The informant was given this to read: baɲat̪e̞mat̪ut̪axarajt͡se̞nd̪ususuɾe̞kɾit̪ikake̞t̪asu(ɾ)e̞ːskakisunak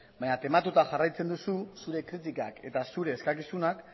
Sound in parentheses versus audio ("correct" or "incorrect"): correct